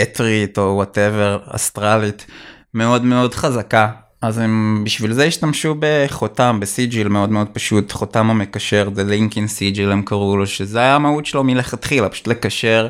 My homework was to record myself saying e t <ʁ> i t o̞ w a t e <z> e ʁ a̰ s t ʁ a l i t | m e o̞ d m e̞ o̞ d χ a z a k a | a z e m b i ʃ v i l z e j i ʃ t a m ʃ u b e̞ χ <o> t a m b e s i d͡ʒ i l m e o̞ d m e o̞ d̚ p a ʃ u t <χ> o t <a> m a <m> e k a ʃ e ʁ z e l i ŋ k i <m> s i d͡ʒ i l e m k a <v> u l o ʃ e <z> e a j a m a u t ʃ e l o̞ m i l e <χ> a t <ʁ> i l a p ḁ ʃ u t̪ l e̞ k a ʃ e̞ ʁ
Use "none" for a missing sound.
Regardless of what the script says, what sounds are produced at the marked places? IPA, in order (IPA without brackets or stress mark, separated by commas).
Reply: ʁ, v, o, χ, a, m, n, ʁ, z, χ, χ